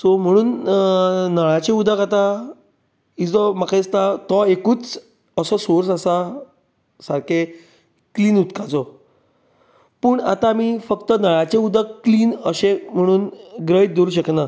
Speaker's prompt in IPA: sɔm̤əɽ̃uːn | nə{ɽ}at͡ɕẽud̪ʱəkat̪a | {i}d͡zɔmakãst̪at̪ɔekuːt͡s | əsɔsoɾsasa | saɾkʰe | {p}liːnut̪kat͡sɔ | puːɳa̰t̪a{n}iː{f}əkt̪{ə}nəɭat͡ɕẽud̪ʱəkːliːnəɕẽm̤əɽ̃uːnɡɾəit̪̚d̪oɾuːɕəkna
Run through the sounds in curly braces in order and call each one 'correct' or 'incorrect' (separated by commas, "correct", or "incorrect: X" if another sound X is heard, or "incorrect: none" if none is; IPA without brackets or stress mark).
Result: incorrect: ɭ, correct, incorrect: k, incorrect: m, correct, correct